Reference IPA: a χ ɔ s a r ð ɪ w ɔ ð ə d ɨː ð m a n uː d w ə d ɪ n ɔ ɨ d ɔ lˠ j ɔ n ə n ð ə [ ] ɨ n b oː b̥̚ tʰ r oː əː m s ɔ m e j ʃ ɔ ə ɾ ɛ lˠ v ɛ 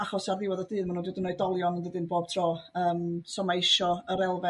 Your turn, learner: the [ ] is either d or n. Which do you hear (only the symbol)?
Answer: d